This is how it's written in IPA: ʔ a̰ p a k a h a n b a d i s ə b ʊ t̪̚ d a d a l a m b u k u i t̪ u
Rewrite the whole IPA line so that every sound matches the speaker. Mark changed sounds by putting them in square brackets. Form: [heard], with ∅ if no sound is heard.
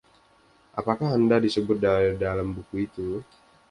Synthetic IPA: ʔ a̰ p a k a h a n [d] a d i s ə b ʊ t̪̚ d a d a l a m b u k u i t̪ u